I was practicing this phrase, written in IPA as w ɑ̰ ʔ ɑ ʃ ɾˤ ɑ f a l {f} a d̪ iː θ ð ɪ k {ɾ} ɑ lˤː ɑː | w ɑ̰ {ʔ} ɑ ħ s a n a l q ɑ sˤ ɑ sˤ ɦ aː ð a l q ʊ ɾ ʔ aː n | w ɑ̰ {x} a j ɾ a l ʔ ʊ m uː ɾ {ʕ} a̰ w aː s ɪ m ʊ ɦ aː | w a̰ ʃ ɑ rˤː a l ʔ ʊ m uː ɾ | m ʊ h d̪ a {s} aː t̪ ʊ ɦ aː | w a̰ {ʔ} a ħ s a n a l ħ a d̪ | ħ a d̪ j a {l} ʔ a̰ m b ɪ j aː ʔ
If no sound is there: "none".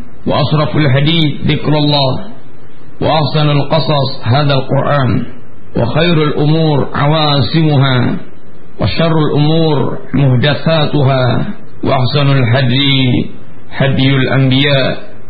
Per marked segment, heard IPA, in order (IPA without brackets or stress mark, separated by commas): ħ, ɾ, ʔ, x, ʕ, θ, ʔ, l